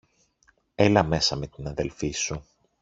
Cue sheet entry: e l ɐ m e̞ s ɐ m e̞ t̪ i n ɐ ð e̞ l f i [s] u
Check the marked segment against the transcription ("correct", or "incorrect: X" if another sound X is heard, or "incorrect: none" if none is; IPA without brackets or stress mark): correct